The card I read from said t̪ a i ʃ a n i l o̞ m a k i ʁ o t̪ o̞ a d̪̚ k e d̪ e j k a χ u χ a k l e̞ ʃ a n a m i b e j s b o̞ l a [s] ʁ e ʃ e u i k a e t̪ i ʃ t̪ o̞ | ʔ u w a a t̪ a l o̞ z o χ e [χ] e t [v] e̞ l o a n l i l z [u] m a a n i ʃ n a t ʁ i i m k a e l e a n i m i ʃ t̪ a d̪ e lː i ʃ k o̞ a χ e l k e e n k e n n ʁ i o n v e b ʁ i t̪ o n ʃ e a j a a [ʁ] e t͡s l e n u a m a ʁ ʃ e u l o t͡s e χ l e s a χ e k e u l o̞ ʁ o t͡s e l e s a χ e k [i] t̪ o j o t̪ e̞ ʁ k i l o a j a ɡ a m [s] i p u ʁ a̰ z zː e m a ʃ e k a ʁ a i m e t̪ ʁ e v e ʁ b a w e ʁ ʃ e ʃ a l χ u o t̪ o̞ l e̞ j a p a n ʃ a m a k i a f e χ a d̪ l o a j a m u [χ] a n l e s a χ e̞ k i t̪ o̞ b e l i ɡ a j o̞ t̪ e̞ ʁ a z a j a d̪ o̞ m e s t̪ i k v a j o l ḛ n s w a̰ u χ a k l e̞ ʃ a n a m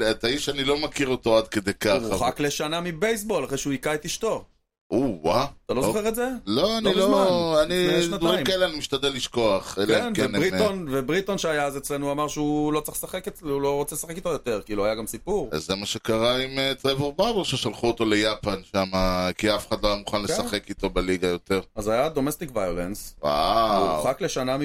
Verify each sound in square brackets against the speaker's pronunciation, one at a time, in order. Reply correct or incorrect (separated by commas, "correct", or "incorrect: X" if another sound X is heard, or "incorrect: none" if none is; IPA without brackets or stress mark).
incorrect: χ, incorrect: ʁ, incorrect: z, incorrect: o, incorrect: z, correct, correct, correct